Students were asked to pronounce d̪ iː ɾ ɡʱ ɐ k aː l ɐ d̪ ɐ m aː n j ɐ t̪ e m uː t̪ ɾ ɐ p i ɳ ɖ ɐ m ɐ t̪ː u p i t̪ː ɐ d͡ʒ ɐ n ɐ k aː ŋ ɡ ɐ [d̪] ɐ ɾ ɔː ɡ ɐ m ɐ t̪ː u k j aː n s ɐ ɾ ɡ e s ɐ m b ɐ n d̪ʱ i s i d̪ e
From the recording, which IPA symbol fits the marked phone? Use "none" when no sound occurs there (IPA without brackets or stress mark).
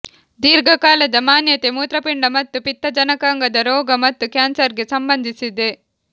d̪